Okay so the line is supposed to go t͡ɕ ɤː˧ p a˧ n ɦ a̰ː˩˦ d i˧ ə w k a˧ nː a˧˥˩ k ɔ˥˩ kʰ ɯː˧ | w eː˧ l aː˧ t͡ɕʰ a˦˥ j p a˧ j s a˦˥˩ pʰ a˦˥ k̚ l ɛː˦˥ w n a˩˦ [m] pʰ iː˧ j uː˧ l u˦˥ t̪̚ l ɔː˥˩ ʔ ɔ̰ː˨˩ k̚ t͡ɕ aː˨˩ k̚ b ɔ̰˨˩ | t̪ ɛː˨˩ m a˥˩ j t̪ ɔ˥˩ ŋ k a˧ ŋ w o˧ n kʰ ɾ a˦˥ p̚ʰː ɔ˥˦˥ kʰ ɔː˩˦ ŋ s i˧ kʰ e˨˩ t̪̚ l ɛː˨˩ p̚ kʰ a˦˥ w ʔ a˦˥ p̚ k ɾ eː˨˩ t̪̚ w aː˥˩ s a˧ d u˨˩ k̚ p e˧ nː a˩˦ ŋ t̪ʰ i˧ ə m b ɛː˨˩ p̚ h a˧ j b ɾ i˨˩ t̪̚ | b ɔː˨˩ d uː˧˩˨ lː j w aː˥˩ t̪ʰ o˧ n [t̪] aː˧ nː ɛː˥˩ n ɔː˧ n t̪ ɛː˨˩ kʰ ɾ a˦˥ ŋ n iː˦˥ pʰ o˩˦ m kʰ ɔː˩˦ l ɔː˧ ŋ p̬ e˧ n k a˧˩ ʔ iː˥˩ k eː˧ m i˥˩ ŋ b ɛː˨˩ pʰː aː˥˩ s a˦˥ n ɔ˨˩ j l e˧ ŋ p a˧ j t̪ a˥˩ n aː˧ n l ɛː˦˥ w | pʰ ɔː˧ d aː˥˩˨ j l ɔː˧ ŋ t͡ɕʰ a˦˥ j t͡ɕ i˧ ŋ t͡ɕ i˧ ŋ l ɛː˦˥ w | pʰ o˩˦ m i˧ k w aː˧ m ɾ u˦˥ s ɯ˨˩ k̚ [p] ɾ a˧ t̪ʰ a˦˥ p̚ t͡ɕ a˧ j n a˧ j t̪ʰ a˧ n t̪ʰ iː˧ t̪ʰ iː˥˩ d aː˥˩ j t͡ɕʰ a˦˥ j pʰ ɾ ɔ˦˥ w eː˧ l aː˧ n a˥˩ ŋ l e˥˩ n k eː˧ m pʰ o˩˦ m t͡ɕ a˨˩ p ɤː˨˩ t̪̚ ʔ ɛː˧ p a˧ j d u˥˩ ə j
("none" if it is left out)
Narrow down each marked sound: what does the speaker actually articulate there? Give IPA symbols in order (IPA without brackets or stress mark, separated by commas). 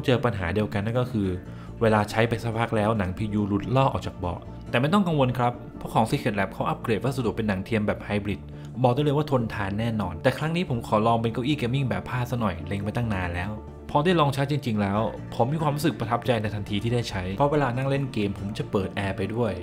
ŋ, t̪ʰ, p